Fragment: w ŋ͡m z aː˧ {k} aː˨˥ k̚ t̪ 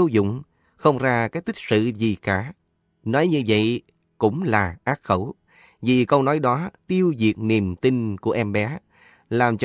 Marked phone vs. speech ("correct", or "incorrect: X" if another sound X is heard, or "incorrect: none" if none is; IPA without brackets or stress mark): correct